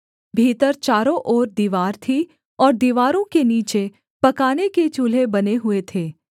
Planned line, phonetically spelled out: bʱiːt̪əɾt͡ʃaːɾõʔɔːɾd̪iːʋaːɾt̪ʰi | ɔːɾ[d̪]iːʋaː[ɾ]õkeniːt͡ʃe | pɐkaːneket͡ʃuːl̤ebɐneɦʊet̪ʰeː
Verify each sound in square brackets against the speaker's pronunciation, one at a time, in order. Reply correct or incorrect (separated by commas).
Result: correct, correct